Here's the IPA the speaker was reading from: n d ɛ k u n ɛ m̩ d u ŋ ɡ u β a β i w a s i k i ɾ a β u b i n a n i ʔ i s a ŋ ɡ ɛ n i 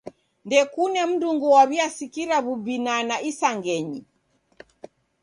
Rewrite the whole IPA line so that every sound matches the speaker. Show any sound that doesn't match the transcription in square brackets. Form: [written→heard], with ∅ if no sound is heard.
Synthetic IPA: n d ɛ k u n ɛ m̩ d u ŋ ɡ u [β→w] a β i [w→∅] a s i k i ɾ a β u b i n a n [i→a] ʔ i s a ŋ ɡ ɛ [n→ɲ] i